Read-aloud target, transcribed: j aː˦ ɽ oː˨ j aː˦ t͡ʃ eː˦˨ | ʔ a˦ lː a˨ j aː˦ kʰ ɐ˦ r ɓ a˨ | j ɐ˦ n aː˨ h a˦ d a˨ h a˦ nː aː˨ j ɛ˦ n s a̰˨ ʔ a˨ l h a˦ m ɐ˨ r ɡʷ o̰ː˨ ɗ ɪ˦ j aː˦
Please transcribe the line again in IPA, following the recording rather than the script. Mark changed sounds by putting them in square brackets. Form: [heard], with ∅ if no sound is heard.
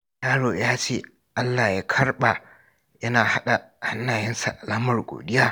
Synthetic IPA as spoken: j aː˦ ɽ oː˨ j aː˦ t͡ʃ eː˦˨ | ʔ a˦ lː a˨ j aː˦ kʰ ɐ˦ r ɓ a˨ | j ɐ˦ n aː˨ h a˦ [ɗ] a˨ h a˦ nː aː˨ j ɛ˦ n s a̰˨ ʔ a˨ l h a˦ m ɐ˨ r ɡʷ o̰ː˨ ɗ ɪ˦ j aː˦